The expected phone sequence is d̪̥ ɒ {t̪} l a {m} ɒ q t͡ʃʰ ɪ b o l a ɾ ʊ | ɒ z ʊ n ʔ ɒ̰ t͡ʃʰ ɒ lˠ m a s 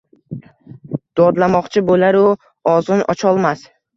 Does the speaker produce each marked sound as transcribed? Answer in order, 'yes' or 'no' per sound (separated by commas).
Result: no, yes